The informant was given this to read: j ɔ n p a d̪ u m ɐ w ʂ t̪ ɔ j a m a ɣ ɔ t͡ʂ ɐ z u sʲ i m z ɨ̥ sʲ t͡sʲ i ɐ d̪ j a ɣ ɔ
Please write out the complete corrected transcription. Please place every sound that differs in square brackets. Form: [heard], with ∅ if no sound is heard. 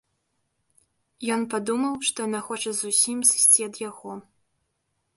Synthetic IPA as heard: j ɔ n p a d̪ u m ɐ w ʂ t̪ ɔ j a [n] a [x] ɔ t͡ʂ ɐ z u sʲ i m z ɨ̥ sʲ t͡sʲ i ɐ d̪ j a ɣ ɔ